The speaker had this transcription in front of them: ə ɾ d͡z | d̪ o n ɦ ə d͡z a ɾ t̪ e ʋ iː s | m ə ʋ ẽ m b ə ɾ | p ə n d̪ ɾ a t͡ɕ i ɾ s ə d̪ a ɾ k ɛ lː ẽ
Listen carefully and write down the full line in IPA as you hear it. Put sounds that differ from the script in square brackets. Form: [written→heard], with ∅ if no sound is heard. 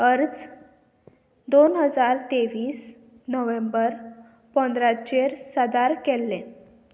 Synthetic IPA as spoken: ə ɾ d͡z | d̪ o n ɦ ə d͡z a ɾ t̪ e ʋ iː s | [m→n] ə ʋ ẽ m b ə ɾ | p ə n d̪ ɾ a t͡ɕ [i→e] ɾ s ə d̪ a ɾ k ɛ lː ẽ